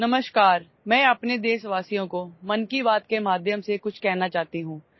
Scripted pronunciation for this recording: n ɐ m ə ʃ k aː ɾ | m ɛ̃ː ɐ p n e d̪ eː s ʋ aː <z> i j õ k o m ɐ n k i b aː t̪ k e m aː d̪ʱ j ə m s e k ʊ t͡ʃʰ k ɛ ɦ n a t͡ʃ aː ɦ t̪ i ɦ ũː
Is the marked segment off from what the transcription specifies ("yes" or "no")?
yes